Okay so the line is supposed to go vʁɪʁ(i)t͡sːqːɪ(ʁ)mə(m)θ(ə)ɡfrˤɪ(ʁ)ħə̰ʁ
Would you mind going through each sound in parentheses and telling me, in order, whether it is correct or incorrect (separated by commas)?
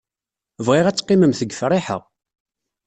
incorrect, incorrect, correct, correct, incorrect